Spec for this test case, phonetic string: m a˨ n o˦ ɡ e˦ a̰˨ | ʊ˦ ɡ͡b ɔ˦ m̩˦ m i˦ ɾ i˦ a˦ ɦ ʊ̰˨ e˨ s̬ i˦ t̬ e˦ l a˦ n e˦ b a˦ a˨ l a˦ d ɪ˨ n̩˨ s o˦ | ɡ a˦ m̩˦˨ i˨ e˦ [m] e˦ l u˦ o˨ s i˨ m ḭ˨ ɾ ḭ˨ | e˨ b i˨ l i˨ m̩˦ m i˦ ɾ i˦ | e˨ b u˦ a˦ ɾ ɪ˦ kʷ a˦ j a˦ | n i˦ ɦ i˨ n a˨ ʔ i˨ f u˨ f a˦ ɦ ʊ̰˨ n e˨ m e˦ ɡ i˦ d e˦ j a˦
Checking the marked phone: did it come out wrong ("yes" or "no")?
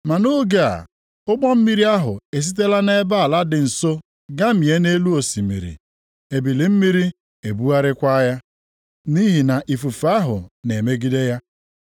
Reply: yes